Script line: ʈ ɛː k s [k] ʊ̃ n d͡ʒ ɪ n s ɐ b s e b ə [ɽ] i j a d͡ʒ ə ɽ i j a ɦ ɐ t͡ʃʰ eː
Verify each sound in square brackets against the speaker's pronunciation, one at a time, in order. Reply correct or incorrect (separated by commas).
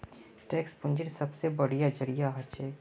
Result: incorrect, correct